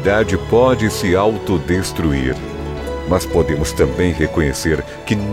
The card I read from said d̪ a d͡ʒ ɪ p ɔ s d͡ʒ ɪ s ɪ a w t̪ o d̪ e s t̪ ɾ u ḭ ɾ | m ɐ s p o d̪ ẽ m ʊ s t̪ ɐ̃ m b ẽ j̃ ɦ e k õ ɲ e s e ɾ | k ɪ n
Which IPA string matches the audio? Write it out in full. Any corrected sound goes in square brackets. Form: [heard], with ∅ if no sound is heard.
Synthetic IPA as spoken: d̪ a d͡ʒ ɪ p ɔ [∅] d͡ʒ ɪ s ɪ a w t̪ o d̪ e s t̪ ɾ u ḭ ɾ | m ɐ s p o d̪ ẽ m ʊ s t̪ ɐ̃ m b ẽ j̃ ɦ e k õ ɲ e s e ɾ | k ɪ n